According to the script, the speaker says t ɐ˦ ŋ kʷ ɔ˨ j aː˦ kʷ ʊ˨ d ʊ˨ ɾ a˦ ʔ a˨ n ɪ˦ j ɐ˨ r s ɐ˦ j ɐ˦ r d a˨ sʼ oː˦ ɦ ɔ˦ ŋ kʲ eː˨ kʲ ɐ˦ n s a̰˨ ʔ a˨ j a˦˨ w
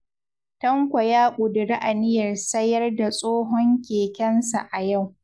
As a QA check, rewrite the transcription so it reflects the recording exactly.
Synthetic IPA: t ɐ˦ ŋ kʷ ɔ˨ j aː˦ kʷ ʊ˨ d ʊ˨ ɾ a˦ ʔ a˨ n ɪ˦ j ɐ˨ r s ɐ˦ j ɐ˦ r d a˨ sʼ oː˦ ɦ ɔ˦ ŋ kʲ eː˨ kʲ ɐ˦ n s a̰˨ ʔ a˨ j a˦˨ w